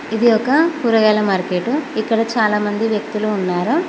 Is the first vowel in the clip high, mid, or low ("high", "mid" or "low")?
high